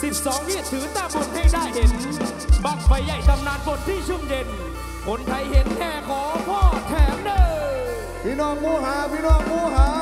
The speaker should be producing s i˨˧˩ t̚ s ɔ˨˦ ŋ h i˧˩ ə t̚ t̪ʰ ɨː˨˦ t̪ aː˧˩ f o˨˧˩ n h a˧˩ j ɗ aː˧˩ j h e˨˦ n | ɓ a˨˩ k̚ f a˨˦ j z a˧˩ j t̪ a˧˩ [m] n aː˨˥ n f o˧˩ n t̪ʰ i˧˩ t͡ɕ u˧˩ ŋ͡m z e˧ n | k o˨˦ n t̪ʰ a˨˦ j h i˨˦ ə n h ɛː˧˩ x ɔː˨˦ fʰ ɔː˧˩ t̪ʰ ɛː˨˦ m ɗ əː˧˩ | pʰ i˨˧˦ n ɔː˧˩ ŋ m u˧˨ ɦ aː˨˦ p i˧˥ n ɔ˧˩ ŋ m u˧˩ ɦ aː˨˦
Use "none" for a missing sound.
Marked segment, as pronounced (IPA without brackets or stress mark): m